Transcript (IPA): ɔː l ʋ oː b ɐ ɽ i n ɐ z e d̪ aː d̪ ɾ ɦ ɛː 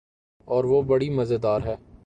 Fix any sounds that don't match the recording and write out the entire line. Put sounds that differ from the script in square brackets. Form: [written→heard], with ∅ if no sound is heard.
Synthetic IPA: ɔː [l→ɾ] ʋ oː b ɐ ɽ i [n→m] ɐ z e d̪ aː [d̪→∅] ɾ ɦ ɛː